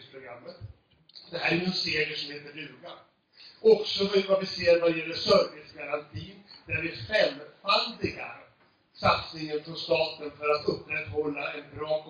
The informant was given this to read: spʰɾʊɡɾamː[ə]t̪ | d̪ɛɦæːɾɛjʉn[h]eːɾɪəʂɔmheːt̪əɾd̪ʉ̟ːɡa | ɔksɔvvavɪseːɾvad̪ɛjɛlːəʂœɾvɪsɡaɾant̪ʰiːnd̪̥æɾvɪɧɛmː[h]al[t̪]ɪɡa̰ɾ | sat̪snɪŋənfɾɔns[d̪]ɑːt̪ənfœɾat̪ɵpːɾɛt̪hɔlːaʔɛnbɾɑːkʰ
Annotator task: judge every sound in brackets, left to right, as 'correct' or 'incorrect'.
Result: correct, incorrect: s, incorrect: f, incorrect: d̪, incorrect: t̪

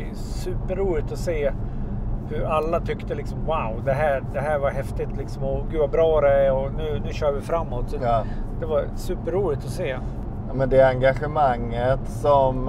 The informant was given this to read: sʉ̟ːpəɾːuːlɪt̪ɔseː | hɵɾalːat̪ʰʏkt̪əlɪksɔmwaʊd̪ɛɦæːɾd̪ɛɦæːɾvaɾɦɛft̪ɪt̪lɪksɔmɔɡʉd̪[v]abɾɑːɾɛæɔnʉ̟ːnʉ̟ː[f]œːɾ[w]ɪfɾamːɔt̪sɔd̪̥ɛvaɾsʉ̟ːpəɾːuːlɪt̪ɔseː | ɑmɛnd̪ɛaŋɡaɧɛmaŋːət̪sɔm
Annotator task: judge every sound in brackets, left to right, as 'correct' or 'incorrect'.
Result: correct, incorrect: ɕ, incorrect: v

